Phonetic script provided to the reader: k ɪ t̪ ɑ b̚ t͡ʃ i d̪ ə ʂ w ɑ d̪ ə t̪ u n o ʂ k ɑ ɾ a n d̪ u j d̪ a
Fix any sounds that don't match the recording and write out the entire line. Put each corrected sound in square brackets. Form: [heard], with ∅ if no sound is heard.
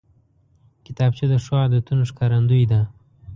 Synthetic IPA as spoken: k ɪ t̪ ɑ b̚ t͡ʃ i d̪ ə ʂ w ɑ d̪ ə t̪ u n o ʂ k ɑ ɾ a n d̪ u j d̪ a